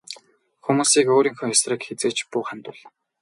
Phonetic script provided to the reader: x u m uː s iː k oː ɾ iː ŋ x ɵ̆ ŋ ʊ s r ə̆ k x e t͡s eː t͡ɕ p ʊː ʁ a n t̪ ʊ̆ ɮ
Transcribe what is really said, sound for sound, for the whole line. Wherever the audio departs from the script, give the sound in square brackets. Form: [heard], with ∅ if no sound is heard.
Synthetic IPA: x u m uː s iː k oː ɾ iː ŋ x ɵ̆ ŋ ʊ s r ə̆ k x e t͡s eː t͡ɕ p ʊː [χ] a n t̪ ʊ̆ ɮ